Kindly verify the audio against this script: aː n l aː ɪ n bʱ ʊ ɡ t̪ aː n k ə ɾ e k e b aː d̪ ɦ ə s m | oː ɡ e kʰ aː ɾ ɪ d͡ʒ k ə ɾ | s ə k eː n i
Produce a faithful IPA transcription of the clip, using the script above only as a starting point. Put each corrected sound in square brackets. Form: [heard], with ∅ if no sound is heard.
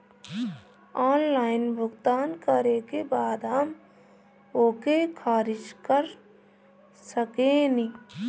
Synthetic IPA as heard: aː n l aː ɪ n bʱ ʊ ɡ t̪ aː n k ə ɾ e k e b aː d̪ ɦ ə [∅] m | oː [k] e kʰ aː ɾ ɪ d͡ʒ k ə ɾ | s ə k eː n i